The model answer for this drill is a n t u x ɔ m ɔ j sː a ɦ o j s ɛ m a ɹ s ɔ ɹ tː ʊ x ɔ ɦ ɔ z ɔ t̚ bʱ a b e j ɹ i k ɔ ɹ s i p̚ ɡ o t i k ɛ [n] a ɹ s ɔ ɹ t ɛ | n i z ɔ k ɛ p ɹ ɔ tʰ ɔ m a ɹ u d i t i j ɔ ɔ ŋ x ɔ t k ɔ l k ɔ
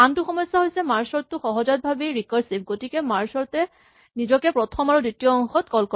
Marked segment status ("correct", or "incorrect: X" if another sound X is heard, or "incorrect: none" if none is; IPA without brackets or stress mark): incorrect: m